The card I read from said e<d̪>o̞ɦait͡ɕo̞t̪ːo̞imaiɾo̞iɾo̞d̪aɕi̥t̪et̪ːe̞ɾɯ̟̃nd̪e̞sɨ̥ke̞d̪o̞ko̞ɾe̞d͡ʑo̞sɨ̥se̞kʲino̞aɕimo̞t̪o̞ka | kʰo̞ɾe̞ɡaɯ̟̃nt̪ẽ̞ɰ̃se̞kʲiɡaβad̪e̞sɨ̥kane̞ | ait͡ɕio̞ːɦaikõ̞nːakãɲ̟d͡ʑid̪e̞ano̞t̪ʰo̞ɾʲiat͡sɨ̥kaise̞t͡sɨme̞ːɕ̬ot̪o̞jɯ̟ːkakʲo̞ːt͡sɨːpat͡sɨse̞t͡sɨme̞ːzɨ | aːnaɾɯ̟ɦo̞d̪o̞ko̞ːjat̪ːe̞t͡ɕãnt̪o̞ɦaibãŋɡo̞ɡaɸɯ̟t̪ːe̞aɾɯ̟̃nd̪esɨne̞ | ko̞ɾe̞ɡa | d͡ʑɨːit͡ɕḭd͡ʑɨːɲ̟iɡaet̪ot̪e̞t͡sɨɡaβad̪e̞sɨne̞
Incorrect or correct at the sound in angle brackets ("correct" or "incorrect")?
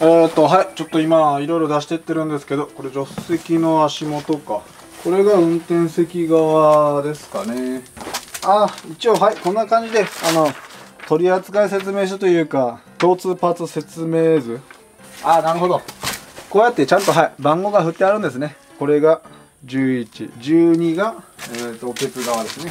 incorrect